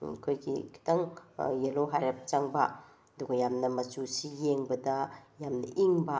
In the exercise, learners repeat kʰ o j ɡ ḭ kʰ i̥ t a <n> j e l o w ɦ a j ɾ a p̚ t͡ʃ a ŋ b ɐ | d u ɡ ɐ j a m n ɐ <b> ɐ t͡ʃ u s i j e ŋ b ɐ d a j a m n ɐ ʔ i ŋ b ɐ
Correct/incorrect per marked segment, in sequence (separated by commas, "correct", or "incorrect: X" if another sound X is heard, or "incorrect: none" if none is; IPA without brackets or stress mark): incorrect: ŋ, incorrect: m